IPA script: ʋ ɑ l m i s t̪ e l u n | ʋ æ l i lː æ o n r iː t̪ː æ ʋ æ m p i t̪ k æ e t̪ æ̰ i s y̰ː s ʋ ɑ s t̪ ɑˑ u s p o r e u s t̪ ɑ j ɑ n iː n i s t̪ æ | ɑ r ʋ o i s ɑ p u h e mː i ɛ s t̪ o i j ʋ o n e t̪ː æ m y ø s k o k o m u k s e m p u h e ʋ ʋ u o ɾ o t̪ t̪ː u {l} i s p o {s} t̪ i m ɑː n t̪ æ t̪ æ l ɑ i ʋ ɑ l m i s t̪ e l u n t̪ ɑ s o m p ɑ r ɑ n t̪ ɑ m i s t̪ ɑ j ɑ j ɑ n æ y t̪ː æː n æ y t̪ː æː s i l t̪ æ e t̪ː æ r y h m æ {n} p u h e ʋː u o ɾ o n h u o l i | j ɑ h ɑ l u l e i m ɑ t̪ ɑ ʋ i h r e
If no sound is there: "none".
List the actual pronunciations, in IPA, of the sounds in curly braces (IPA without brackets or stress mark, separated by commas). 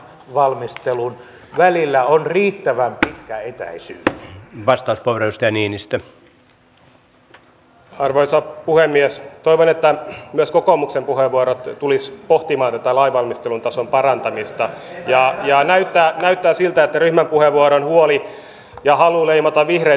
l, h, m